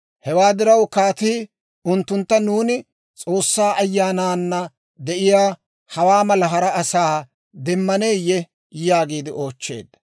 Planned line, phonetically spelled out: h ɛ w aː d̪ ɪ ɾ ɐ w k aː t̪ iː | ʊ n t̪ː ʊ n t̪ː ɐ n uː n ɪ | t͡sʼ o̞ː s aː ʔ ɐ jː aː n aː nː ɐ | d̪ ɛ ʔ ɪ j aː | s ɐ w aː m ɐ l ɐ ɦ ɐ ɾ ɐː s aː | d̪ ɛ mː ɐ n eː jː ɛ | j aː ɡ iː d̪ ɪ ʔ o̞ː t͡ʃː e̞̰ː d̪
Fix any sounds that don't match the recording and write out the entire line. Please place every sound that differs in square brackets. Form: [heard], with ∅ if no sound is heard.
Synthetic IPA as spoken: h ɛ w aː d̪ ɪ ɾ ɐ w k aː t̪ iː | ʊ n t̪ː ʊ n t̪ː ɐ n uː n ɪ | t͡sʼ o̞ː [sː] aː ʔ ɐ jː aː n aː nː ɐ | d̪ ɛ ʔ ɪ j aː | [h] ɐ w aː m ɐ l ɐ ɦ ɐ ɾ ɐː s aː | d̪ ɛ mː ɐ n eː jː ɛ | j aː ɡ iː d̪ ɪ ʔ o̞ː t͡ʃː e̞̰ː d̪